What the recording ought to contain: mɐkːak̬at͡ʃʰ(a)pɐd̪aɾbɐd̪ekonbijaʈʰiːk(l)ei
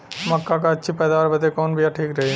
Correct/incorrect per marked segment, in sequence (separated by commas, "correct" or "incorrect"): incorrect, incorrect